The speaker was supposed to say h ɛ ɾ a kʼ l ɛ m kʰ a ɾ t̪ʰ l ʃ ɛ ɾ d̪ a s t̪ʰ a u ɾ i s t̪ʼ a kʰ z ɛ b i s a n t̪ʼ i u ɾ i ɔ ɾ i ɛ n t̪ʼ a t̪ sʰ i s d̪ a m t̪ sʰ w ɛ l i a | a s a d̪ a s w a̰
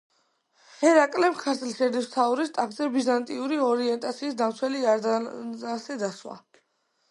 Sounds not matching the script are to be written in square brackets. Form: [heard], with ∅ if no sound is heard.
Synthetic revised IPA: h ɛ ɾ a kʼ l ɛ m kʰ a ɾ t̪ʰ l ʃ ɛ ɾ d̪ [i] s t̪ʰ a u ɾ i s t̪ʼ a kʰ z ɛ b i [z] a n t̪ʼ i u ɾ i ɔ ɾ i ɛ n t̪ʼ a t̪ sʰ [iː] s d̪ a m t̪ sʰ w ɛ l i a | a s [ɛ] d̪ a s w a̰